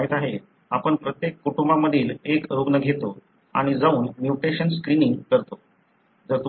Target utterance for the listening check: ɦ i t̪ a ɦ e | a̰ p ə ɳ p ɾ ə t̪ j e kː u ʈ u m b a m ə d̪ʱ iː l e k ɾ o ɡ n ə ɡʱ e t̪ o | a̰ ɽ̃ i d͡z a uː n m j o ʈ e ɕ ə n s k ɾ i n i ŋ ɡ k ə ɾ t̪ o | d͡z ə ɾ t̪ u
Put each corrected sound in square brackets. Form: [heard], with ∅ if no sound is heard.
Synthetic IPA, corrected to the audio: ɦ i t̪ a ɦ e | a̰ p ə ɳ p ɾ ə t̪ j e kː u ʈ u m b a m ə d̪ʱ iː l e k ɾ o ɡ n ə ɡʱ e t̪ o | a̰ ɽ̃ i d͡z a uː n m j [u] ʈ e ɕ ə n s k ɾ i n i ŋ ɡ k ə ɾ t̪ o | d͡z ə ɾ t̪ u